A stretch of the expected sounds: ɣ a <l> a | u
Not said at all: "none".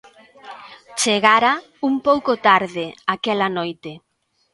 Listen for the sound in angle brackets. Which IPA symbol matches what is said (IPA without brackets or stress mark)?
ɾ